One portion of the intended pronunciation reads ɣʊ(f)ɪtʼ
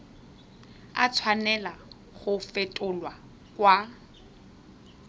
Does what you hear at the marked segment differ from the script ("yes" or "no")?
no